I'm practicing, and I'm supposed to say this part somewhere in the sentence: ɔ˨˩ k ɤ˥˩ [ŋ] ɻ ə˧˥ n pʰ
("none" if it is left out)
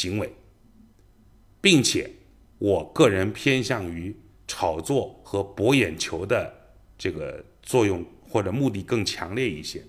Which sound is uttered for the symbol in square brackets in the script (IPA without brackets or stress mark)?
none